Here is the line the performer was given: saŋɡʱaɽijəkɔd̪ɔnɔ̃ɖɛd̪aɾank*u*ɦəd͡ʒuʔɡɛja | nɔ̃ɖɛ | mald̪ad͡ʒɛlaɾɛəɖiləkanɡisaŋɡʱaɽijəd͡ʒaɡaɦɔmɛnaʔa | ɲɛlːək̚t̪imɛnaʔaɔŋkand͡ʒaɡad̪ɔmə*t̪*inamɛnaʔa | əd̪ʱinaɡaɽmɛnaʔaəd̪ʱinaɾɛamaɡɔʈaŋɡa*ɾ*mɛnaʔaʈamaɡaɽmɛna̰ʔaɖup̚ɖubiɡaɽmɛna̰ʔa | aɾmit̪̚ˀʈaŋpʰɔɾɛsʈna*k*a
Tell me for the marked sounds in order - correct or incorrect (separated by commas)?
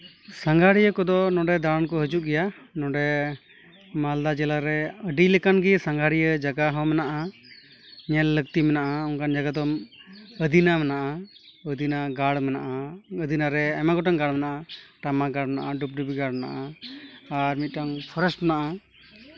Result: incorrect, incorrect, incorrect, incorrect